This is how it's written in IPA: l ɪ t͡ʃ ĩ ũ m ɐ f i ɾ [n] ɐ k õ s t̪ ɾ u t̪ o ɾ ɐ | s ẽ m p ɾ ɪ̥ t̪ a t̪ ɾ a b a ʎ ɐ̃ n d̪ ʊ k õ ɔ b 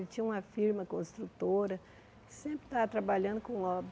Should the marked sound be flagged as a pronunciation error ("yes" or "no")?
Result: yes